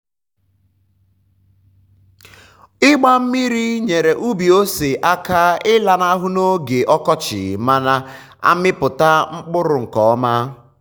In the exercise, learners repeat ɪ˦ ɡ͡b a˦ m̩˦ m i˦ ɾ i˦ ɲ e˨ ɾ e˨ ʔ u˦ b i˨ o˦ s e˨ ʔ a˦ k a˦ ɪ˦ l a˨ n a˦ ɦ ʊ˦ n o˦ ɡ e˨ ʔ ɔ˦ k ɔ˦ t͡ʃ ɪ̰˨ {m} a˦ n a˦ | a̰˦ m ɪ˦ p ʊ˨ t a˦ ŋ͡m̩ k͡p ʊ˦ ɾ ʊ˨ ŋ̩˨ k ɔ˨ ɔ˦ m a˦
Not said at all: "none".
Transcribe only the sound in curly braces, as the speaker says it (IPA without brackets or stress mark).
m